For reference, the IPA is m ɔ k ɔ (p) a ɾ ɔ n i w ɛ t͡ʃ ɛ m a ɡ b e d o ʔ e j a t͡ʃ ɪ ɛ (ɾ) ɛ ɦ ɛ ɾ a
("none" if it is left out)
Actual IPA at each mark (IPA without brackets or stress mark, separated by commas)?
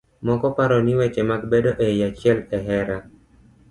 p, l